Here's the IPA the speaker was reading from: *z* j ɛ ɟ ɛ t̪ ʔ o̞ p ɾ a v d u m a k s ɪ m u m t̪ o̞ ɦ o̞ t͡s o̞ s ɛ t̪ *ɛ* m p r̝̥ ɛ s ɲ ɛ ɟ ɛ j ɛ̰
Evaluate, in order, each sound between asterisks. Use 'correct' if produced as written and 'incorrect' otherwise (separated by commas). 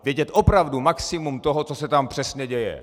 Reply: incorrect, incorrect